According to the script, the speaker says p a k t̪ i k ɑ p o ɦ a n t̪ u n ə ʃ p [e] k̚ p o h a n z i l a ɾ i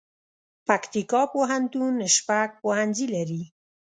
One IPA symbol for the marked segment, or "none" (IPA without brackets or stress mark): a